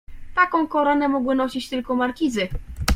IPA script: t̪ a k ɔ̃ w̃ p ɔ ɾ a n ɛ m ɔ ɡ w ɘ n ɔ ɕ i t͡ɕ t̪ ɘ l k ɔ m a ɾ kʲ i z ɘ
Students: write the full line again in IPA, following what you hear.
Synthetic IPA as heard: t̪ a k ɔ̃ w̃ k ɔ ɾ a n ɛ m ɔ ɡ w ɘ n ɔ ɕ i t͡ɕ t̪ ɘ l k ɔ m a ɾ kʲ i z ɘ